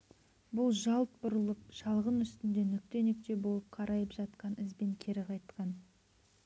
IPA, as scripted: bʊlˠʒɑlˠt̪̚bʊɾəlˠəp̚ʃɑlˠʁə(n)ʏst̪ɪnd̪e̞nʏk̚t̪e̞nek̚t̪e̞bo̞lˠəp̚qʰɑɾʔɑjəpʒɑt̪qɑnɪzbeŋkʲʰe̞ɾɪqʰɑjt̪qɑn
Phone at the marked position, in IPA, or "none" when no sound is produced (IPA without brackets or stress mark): n